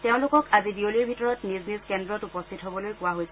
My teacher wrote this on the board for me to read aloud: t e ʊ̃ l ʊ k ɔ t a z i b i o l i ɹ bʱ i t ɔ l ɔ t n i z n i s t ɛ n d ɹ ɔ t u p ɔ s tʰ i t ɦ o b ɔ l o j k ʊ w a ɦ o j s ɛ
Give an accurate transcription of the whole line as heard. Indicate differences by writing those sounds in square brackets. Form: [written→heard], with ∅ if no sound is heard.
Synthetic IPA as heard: t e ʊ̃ l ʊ k ɔ [t→k] a z i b i o l i ɹ bʱ i t ɔ [l→ɹ] ɔ t n i z n i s [t→k] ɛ n d ɹ ɔ t u p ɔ s tʰ i t ɦ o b ɔ l o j k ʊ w a ɦ o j s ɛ